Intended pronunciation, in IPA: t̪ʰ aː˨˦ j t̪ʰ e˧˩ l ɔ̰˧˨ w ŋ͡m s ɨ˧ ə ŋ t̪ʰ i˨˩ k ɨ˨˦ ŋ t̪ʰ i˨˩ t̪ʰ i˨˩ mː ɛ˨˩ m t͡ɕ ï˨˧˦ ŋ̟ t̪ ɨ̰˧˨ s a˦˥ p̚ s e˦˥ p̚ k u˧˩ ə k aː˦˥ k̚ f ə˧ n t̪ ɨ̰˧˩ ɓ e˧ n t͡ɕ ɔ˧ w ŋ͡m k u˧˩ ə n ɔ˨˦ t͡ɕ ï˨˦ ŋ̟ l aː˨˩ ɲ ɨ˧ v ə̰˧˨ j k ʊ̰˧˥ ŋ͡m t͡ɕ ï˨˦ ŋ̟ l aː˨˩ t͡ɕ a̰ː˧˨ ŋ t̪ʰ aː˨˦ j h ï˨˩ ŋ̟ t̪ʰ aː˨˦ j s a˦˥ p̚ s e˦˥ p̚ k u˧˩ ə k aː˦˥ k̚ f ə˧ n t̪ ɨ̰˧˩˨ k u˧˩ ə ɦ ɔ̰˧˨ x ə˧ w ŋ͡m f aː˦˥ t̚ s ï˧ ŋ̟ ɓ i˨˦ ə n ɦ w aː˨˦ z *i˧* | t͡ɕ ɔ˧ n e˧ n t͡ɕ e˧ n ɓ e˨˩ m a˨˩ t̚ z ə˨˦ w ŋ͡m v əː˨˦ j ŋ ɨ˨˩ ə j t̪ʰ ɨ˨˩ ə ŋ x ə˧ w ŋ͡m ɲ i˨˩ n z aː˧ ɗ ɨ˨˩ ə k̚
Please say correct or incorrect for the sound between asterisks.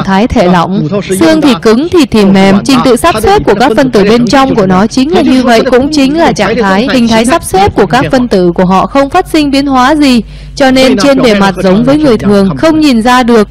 incorrect: i˨˩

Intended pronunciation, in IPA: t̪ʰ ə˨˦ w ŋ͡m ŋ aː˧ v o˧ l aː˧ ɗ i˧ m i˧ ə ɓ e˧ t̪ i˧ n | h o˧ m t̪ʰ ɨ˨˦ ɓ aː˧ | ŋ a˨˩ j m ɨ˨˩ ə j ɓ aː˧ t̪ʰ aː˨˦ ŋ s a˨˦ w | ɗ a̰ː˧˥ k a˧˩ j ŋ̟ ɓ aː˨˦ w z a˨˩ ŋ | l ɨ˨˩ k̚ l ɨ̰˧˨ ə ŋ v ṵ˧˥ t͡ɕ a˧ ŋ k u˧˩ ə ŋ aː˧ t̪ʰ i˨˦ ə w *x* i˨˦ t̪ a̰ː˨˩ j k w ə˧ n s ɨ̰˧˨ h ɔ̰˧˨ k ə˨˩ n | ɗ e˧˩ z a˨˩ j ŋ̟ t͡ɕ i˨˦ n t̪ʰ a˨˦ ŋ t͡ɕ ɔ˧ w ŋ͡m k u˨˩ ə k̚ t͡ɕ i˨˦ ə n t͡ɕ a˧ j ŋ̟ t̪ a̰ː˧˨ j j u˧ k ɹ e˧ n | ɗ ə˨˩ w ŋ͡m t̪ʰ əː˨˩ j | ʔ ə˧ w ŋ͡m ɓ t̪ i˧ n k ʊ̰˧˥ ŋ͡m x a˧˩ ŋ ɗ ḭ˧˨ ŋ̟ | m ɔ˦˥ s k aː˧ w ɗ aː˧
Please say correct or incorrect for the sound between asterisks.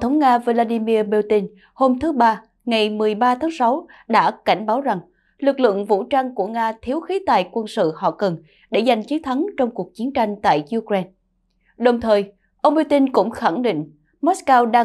correct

